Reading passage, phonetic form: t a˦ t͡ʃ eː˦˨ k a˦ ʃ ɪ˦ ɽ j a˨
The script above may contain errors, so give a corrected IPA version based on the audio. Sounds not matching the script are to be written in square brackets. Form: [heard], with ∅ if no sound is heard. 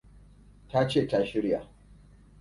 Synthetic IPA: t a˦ t͡ʃ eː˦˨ [t] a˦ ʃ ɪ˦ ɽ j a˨